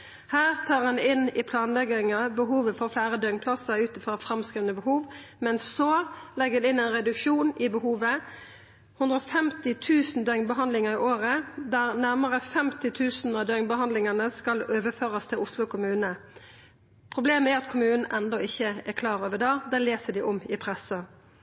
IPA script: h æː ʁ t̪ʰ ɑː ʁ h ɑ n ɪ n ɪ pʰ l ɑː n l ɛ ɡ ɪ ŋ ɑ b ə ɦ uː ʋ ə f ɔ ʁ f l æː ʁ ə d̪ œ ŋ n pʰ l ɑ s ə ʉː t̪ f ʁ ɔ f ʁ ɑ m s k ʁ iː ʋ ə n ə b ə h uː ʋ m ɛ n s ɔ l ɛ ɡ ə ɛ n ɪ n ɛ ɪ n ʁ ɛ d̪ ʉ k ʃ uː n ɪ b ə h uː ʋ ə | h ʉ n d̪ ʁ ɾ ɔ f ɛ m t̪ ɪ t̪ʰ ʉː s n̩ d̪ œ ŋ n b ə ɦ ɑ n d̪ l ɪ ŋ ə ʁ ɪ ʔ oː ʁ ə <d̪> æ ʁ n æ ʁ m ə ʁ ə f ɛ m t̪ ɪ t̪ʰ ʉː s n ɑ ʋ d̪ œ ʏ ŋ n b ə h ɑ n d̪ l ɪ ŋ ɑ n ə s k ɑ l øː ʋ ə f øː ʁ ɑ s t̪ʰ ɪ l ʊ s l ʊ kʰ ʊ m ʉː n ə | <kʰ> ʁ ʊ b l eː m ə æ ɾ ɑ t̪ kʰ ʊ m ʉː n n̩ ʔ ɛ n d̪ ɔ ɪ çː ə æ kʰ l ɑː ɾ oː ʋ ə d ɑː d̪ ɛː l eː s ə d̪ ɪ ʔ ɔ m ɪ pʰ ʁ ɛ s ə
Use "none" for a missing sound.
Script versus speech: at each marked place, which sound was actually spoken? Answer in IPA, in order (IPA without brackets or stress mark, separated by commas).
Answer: d̪, pʰ